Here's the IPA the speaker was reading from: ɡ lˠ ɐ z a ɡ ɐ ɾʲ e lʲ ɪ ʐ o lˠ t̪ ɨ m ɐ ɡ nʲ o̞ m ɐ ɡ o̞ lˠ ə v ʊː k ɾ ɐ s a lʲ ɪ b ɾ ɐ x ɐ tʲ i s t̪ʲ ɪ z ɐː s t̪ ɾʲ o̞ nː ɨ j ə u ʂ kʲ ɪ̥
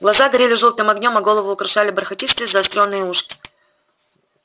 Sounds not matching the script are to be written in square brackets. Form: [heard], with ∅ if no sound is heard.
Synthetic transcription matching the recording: ɡ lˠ ɐ z a ɡ ɐ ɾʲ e lʲ ɪ ʐ o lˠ t̪ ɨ m ɐ ɡ nʲ o̞ m ɐ ɡ o̞ lˠ ə v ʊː k ɾ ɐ [ʂ] a lʲ ɪ b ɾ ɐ x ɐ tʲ i s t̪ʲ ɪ z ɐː s t̪ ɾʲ o̞ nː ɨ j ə u ʂ kʲ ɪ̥

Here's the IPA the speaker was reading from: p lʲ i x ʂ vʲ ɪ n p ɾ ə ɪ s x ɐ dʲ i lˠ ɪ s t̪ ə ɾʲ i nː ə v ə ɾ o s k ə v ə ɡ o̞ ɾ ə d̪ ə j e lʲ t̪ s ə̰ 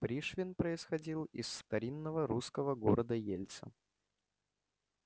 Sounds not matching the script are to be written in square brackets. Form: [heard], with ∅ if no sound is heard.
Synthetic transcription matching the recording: p [ɾʲ] i [∅] ʂ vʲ ɪ n p ɾ ə ɪ s x ɐ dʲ i lˠ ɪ [sː] t̪ [ɐ] ɾʲ i nː ə v ə ɾ [u] s k ə v ə ɡ o̞ ɾ ə d̪ ə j e lʲ t̪ s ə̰

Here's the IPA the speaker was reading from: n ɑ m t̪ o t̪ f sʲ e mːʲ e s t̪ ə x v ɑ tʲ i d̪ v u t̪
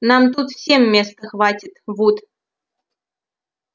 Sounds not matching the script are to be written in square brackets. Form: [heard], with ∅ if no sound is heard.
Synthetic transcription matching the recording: n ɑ m t̪ [u] t̪ f sʲ e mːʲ e s t̪ ə x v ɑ tʲ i [t̪] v u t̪

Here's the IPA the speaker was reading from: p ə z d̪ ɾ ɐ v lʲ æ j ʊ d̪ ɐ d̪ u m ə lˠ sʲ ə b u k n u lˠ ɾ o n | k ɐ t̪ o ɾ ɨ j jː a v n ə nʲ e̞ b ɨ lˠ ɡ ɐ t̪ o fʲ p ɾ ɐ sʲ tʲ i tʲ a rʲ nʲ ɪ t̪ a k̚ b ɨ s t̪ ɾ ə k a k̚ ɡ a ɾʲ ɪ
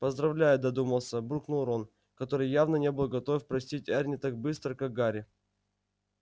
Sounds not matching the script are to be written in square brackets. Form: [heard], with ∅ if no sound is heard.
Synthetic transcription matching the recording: p ə z d̪ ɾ ɐ v lʲ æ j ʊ d̪ ɐ d̪ u m ə lˠ sʲ ə b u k n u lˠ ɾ o n | k ɐ t̪ o ɾ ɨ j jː a v n ə nʲ e̞ b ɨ lˠ ɡ ɐ t̪ o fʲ p ɾ ɐ sʲ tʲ i tʲ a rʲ nʲ ɪ t̪ a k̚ b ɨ s t̪ ɾ ə k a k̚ ɡ a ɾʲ ɪ

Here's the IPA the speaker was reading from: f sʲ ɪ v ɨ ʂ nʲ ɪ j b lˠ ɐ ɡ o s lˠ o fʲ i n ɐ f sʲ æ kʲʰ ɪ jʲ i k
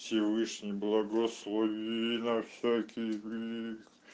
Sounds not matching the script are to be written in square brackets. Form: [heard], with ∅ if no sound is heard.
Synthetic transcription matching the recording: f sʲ ɪ v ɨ ʂ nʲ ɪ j b lˠ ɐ ɡ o s lˠ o [vʲ] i n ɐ f sʲ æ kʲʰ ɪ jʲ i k

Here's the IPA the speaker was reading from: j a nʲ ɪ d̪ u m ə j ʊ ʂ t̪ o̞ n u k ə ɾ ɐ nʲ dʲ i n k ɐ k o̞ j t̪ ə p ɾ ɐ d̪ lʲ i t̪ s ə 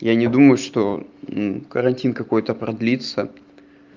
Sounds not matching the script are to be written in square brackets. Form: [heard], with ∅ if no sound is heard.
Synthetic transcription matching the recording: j a nʲ ɪ d̪ u m ə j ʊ ʂ t̪ o̞ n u k ə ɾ ɐ nʲ [tʲ] i n k ɐ k o̞ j t̪ ə p ɾ ɐ d̪ lʲ i t̪ s ə

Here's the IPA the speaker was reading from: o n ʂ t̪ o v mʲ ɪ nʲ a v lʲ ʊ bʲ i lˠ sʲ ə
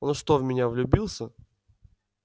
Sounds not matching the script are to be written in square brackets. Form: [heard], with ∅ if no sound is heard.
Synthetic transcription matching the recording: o n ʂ t̪ o v mʲ ɪ nʲ a v lʲ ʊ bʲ i lˠ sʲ ə

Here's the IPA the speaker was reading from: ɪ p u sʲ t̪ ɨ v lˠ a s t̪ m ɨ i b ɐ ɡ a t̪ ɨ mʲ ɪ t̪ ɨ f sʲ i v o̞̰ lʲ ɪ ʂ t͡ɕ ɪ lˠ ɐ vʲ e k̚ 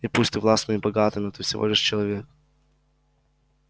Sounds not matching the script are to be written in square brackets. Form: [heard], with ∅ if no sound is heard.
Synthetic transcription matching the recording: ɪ p u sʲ t̪ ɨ v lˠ a s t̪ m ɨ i b ɐ ɡ a t̪ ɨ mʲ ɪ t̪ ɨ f sʲ [ɪ] v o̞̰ lʲ ɪ ʂ t͡ɕ ɪ lˠ ɐ vʲ e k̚

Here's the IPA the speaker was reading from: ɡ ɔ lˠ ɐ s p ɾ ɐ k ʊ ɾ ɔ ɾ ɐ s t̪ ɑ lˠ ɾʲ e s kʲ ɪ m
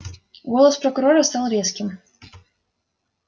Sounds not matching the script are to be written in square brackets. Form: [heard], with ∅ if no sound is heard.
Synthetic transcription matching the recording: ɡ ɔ lˠ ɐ s p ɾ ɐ k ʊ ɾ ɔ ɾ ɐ s t̪ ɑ lˠ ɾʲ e s kʲ ɪ m

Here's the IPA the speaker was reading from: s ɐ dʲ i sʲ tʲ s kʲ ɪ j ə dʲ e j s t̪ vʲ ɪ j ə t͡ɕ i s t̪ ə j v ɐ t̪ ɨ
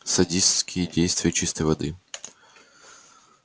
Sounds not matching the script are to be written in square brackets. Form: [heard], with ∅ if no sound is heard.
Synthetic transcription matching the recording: s ɐ dʲ i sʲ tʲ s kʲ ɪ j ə dʲ e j s t̪ vʲ ɪ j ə t͡ɕ i s t̪ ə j v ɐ [d̪] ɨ

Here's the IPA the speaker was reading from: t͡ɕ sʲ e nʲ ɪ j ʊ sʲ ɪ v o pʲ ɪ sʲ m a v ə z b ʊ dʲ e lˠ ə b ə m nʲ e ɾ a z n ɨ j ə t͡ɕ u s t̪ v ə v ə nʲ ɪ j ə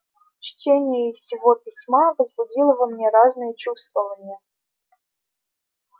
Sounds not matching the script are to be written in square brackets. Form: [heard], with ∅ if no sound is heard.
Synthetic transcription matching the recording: t͡ɕ [tʲ] e nʲ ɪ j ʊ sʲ ɪ v o pʲ ɪ sʲ m a v ə z b ʊ dʲ [i] lˠ ə [v] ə m nʲ e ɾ a z n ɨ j ə t͡ɕ u s t̪ v ə v ə nʲ ɪ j ə

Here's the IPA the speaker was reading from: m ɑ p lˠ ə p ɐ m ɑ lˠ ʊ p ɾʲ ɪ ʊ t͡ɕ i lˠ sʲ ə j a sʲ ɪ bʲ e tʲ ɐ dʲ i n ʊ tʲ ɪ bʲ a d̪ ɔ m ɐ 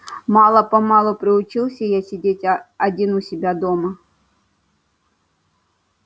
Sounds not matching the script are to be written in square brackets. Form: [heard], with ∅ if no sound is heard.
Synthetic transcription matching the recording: m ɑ [∅] lˠ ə p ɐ m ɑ lˠ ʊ p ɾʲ ɪ ʊ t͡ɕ i lˠ sʲ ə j a sʲ ɪ [dʲ] e tʲ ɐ dʲ i n ʊ [sʲ] ɪ bʲ a d̪ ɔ m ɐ

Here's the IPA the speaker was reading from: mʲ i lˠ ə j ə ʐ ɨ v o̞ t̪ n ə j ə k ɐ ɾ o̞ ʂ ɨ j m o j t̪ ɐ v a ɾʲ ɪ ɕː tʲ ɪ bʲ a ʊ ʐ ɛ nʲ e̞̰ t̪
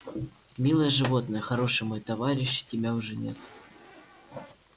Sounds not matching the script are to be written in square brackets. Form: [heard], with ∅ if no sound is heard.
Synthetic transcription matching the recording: mʲ i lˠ ə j ə ʐ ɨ v o̞ t̪ n ə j ə [x] ɐ ɾ o̞ ʂ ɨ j m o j t̪ ɐ v a ɾʲ ɪ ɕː tʲ ɪ bʲ a ʊ ʐ ɛ nʲ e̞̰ t̪

